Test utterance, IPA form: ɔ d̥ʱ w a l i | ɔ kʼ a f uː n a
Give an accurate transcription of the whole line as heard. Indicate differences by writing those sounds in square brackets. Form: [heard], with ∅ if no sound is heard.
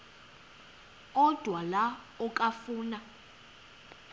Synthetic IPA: ɔ d̥ʱ w a l [a] | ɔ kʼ a f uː n a